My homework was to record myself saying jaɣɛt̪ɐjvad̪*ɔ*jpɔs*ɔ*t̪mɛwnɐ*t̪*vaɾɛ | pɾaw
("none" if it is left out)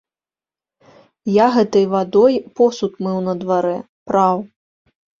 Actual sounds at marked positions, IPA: ɔ, u, d̪

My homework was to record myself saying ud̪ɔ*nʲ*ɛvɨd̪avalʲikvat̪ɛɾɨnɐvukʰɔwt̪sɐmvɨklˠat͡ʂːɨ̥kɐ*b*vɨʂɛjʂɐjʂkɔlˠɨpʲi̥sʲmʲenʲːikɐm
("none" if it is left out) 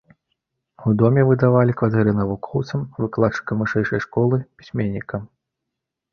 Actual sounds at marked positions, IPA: mʲ, m

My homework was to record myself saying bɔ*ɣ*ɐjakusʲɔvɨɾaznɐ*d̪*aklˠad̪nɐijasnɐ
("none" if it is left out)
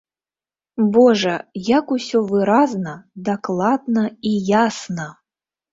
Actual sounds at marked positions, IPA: ʐ, d̪

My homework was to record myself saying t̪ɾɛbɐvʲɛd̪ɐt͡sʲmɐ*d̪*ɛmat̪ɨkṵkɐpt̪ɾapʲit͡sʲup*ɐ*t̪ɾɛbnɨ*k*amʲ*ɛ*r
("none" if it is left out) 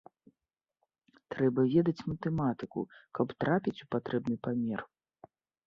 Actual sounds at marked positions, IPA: t̪, a, p, ɛ

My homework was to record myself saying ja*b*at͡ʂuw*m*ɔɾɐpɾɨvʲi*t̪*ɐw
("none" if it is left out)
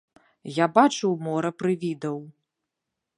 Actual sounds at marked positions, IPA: b, m, d̪

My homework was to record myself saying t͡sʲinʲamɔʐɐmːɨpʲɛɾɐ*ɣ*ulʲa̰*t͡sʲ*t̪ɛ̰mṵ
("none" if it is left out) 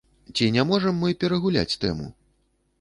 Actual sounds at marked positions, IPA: ɣ, t͡sʲ

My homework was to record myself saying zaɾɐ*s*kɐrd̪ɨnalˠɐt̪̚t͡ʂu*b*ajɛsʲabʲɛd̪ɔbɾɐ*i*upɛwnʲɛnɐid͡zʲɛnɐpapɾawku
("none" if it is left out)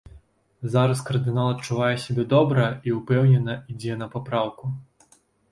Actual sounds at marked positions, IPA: s, v, i

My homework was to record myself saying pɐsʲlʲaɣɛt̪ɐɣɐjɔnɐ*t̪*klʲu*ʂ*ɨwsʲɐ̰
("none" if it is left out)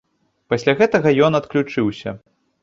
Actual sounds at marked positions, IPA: t̪, t͡ʂ

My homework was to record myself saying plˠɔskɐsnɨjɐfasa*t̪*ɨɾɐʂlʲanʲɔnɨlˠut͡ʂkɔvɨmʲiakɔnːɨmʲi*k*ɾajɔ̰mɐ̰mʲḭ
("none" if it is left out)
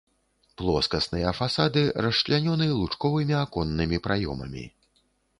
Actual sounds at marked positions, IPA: d̪, p

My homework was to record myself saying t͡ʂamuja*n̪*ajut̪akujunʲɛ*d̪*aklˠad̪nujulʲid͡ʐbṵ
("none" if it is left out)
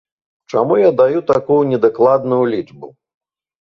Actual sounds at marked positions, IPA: d̪, d̪

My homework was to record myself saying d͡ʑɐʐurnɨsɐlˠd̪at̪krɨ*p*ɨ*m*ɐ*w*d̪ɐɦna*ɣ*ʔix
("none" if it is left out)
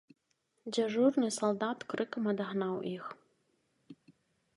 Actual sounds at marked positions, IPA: k, m, none, w

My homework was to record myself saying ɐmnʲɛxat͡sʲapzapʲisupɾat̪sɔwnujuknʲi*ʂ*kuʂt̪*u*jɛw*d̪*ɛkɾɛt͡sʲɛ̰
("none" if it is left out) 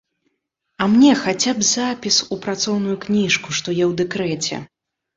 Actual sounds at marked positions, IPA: ʂ, ɔ, d̪

